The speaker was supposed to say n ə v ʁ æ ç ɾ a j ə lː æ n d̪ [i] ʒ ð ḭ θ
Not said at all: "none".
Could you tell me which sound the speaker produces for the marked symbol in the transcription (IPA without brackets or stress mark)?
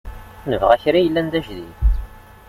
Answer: æ